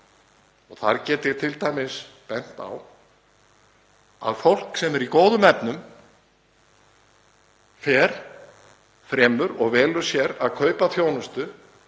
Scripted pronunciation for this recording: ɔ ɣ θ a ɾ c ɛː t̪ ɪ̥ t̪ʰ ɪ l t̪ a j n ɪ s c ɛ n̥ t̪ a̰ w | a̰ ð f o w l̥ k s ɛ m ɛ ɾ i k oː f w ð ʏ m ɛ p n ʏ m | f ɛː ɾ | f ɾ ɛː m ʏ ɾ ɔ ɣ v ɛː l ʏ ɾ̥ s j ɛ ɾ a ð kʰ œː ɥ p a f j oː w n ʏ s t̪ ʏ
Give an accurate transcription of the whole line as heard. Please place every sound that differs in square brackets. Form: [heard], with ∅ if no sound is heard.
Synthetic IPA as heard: ɔ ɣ θ a ɾ c ɛː t̪ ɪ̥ t̪ʰ ɪ l t̪ a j [m] ɪ s [p] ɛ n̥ t̪ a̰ w | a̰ ð f o w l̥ k s ɛ m ɛ ɾ i k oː [∅] w ð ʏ m ɛ p n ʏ m | f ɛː ɾ | f ɾ ɛː m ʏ ɾ ɔ ɣ v ɛː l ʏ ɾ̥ s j ɛ ɾ a ð kʰ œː ɥ p a [θ] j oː w n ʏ s t̪ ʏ

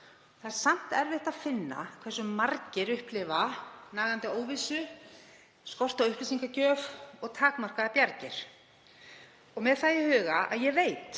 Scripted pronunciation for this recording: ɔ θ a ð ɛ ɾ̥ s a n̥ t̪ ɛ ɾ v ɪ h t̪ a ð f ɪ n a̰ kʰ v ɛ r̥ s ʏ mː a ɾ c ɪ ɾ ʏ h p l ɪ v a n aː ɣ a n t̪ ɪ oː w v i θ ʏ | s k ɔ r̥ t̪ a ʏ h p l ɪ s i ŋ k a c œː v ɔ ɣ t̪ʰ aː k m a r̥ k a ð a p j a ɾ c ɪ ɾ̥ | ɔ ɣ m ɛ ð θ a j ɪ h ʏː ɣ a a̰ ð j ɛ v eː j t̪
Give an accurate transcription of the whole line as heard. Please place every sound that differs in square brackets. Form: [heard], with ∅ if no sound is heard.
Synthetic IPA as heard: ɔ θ a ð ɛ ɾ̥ s a [m̥] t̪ ɛ ɾ v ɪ h t̪ a ð f ɪ [nː] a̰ kʰ v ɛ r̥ s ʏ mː a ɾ c ɪ ɾ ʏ h p l ɪ v a n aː ɣ a n t̪ ɪ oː w v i [s] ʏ | s k ɔ r̥ t̪ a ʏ h p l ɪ s i ŋ k a c œː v ɔ ɣ t̪ʰ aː k m a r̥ k a ð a p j a ɾ c ɪ ɾ̥ | ɔ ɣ m ɛ ð θ a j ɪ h ʏː ɣ a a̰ ð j ɛ v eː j t̪

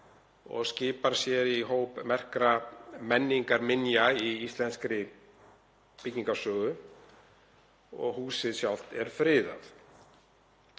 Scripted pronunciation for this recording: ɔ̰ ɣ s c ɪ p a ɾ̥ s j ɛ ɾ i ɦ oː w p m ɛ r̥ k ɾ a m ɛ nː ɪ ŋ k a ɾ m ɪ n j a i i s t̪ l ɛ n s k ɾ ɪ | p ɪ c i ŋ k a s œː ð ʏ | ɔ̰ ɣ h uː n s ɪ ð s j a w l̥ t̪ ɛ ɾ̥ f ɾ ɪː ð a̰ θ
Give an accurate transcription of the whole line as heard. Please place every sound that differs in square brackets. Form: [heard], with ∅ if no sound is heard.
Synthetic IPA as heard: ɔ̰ ɣ s c [ɪː] p a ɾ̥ s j ɛ ɾ i ɦ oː w p m ɛ r̥ k ɾ a m ɛ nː [i] ŋ k a ɾ m ɪ n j a i i s t̪ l ɛ n s k ɾ ɪ | p ɪ c i ŋ k a s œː [ɣ] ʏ | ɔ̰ ɣ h uː [∅] s ɪ ð s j a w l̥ t̪ ɛ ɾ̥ f ɾ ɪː ð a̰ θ

